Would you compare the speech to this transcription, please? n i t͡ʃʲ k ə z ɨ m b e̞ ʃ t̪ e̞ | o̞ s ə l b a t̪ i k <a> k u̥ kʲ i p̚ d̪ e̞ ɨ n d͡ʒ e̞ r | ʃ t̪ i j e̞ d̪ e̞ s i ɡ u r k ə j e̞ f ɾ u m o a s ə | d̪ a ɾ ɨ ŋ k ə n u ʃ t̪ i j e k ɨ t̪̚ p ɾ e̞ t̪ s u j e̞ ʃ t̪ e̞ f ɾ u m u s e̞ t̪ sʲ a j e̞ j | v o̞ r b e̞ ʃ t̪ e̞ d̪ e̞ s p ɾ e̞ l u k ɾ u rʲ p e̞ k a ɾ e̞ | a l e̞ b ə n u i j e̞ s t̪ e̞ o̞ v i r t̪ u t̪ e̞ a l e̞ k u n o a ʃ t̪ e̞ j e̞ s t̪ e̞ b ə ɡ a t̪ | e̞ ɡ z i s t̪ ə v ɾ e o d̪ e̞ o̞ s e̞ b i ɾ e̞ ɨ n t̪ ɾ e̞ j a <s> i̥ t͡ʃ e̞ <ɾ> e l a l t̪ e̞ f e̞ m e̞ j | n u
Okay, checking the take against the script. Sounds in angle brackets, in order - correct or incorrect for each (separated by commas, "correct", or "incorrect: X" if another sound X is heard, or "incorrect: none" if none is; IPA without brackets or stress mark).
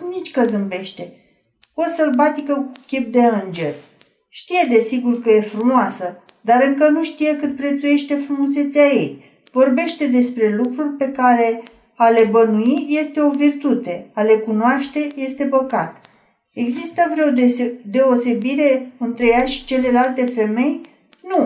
incorrect: ə, incorrect: ʃ, incorrect: l